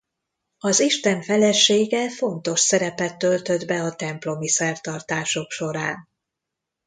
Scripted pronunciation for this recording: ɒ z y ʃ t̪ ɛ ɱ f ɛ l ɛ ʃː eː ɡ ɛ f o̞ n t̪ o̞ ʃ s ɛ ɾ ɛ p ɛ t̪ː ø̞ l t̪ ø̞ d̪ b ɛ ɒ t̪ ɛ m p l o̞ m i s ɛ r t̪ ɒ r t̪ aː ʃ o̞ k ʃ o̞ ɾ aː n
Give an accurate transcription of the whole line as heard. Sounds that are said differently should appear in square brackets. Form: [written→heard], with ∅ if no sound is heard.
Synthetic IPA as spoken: ɒ z [y→i] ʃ t̪ ɛ ɱ f ɛ l ɛ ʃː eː ɡ ɛ f o̞ n t̪ o̞ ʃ s ɛ ɾ ɛ p ɛ t̪ː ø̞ l t̪ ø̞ d̪ b ɛ ɒ t̪ ɛ m p l o̞ m i s ɛ r t̪ ɒ r t̪ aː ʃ o̞ k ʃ o̞ ɾ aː n